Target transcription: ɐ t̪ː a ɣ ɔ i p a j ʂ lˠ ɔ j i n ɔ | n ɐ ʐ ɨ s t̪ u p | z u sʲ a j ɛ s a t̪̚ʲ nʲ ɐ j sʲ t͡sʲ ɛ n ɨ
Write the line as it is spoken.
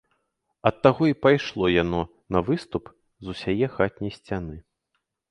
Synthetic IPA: ɐ t̪ː a ɣ ɔ i p a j ʂ lˠ ɔ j a n ɔ | n ɐ v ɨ s t̪ u p | z u sʲ a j ɛ x a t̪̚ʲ nʲ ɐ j sʲ t͡sʲ a n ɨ

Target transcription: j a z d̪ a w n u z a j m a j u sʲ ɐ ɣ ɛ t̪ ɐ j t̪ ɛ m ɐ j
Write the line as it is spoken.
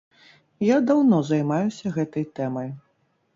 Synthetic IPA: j a d̪ a w n ɔ z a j m a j u sʲ ɐ ɣ ɛ t̪ ɐ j t̪ ɛ m ɐ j

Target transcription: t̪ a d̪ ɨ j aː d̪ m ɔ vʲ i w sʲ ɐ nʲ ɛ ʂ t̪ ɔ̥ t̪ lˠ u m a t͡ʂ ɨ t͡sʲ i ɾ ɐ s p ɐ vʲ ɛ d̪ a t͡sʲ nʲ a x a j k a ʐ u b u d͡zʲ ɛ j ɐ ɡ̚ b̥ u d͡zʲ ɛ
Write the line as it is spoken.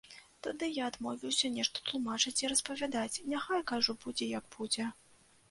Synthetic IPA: t̪ a d̪ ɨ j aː d̪ m ɔ vʲ i w sʲ ɐ nʲ ɛ ʂ t̪ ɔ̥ t̪ lˠ u m a t͡ʂ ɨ t͡sʲ i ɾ ɐ s p ɐ vʲ a d̪ a t͡sʲ nʲ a x a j k a ʐ u b u d͡zʲ ɛ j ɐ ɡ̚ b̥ u d͡zʲ ɛ

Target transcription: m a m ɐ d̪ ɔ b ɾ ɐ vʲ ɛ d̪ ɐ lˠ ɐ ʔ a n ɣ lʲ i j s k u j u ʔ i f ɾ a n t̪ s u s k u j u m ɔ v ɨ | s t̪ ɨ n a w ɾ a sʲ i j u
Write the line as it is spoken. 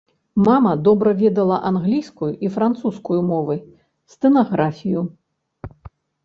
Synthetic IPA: m a m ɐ d̪ ɔ b ɾ ɐ vʲ ɛ d̪ ɐ lˠ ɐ ʔ a n ɣ lʲ i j s k u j u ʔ i f ɾ a n t̪ s u s k u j u m ɔ v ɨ | s t̪ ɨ n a ɣ ɾ a fʲ i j u

